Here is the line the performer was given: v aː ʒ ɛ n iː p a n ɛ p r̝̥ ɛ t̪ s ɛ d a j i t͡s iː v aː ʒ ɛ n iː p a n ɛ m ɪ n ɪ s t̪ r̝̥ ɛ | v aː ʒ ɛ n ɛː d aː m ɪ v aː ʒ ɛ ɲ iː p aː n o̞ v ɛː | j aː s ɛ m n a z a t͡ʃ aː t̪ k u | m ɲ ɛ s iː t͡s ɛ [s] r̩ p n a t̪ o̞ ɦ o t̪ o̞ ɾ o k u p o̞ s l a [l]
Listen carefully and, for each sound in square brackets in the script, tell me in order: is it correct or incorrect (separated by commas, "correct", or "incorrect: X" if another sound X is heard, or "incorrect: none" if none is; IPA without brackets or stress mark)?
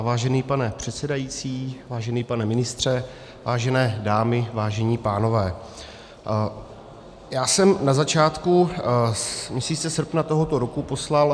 correct, correct